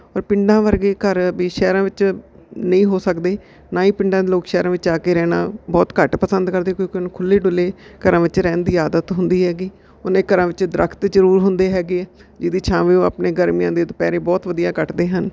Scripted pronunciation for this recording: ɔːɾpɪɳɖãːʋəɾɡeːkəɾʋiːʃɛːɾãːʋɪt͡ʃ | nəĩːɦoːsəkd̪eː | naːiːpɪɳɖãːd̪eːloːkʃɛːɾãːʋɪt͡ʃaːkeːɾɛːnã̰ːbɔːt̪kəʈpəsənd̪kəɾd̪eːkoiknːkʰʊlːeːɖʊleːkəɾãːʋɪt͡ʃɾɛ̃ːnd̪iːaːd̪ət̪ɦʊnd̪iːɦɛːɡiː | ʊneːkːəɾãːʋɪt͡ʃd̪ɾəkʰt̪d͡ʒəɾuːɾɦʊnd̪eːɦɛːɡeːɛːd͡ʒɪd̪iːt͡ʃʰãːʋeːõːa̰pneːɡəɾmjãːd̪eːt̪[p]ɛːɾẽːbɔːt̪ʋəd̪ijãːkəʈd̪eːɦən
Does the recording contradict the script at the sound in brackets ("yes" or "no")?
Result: no